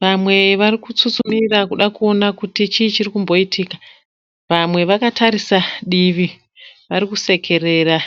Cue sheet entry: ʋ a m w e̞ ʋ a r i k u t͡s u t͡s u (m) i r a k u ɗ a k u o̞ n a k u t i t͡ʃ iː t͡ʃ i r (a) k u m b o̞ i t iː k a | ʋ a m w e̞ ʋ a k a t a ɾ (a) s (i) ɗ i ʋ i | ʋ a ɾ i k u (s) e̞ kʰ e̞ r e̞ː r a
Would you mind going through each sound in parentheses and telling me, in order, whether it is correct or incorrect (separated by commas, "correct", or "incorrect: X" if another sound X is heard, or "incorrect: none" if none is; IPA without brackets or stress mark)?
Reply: correct, incorrect: i, incorrect: i, incorrect: a, correct